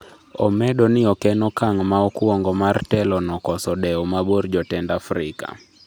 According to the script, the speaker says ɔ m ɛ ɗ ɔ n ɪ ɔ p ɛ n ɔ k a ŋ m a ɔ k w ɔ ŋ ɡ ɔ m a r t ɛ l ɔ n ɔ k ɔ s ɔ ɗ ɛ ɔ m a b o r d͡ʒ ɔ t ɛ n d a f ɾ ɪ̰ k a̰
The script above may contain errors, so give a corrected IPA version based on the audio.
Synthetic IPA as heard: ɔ m ɛ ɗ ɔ n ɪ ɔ k ɛ n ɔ k a ŋ m a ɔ k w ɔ ŋ ɡ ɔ m a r t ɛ l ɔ n ɔ k ɔ s ɔ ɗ ɛ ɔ m a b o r d͡ʒ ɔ t ɛ n d a f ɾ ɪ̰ k a̰